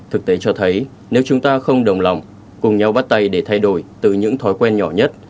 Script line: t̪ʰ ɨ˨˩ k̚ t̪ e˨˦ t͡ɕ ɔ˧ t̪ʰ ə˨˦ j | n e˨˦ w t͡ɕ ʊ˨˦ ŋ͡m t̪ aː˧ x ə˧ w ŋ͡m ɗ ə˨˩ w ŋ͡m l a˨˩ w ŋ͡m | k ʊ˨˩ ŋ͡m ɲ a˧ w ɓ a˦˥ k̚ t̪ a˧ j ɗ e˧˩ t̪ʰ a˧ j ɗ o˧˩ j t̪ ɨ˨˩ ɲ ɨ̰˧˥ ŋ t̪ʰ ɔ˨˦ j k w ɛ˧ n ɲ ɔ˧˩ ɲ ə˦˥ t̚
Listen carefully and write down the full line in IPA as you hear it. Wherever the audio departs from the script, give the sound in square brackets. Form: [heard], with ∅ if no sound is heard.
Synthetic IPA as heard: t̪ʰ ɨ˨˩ k̚ t̪ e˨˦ t͡ɕ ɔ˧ t̪ʰ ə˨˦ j | n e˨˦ w t͡ɕ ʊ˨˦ ŋ͡m t̪ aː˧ x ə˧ w ŋ͡m ɗ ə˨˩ w ŋ͡m l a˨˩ w ŋ͡m | k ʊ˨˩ ŋ͡m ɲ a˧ w ɓ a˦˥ [t̚] t̪ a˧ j ɗ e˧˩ t̪ʰ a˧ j ɗ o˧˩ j t̪ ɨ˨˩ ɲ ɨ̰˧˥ ŋ t̪ʰ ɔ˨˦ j k w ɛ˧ n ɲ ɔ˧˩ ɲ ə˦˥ t̚